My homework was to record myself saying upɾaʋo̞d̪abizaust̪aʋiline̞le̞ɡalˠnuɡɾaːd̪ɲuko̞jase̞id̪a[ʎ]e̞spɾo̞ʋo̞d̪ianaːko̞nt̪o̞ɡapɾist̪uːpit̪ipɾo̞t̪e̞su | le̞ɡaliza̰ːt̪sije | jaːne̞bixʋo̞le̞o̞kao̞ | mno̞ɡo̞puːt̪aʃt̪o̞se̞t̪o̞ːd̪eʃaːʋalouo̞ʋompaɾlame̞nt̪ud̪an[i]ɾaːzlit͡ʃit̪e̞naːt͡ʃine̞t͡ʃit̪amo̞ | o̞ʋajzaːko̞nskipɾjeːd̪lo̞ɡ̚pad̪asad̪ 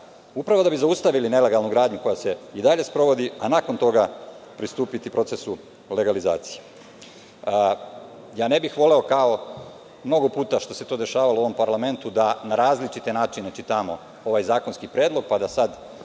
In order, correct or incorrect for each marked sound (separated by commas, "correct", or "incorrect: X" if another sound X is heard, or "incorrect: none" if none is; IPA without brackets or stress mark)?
correct, incorrect: a